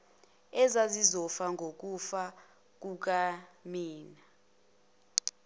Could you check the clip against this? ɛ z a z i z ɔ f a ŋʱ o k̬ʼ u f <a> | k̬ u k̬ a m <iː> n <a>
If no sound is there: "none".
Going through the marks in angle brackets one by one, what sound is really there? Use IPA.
a, iː, a

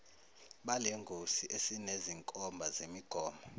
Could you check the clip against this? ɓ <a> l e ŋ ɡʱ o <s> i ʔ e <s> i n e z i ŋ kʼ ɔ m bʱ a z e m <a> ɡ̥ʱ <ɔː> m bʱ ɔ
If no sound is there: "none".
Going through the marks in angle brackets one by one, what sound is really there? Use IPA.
a, s, s, i, ɔː

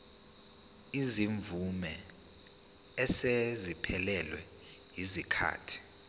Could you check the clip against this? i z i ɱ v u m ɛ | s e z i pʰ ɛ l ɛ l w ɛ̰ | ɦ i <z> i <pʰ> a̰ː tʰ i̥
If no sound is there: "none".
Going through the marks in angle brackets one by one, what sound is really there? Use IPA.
z, kʰ

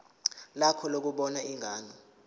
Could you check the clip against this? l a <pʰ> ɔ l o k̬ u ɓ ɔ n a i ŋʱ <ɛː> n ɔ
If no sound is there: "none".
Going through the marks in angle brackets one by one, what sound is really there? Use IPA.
kʰ, aː

